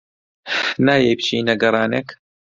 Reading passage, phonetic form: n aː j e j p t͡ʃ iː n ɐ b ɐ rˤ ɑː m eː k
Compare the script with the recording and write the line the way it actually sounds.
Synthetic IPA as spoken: n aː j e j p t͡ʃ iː n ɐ ɡ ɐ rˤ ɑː n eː k

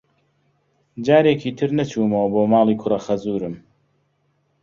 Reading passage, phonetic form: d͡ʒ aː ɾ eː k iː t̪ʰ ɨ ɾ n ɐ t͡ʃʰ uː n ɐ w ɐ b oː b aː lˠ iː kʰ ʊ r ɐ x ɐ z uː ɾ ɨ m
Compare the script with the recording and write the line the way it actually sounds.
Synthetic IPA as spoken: d͡ʒ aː ɾ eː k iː t̪ʰ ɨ ɾ n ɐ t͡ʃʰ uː m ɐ w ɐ b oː m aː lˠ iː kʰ ʊ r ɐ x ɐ z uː ɾ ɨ m

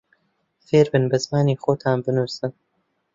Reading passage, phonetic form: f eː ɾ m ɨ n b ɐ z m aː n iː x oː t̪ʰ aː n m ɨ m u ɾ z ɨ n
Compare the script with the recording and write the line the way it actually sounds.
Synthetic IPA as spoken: f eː ɾ b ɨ n b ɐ z m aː n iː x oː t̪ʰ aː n b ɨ n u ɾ s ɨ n

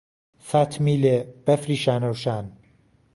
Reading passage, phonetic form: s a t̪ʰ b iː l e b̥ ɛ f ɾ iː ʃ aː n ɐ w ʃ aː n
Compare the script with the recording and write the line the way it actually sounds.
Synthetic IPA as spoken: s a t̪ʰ m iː l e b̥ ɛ f ɾ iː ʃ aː n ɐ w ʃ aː n

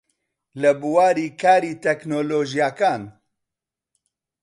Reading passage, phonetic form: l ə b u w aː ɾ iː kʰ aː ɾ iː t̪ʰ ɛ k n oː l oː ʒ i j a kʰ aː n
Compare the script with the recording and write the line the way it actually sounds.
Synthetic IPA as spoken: l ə b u w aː ɾ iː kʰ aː ɾ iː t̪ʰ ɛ k n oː l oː ʒ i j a k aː n

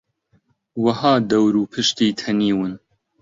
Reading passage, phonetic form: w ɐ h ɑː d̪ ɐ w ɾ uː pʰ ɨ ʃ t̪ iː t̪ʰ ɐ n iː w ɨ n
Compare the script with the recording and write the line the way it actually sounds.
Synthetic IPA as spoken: w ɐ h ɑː d̪ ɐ w ɾ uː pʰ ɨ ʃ t̪ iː t̪ʰ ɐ n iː w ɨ n

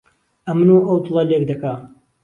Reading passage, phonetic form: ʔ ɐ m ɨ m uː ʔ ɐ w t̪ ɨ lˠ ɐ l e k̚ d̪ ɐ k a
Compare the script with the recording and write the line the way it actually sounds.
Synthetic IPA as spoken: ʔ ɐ m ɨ n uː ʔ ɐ w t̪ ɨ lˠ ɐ l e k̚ d̪ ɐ k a

